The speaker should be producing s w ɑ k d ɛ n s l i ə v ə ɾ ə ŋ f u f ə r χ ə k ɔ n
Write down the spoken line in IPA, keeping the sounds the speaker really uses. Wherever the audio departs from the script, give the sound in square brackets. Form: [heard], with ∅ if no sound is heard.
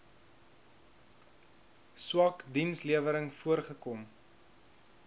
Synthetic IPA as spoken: s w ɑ k d [i] n s l i ə v ə ɾ ə ŋ f u [∅] ə r χ ə k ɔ [m]

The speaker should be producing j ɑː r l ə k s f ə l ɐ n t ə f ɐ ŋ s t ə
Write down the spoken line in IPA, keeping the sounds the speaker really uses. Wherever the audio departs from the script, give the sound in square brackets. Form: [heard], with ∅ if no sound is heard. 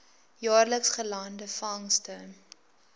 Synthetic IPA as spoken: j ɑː r l ə k s [χ] ə l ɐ n [d] ə f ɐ ŋ s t ə

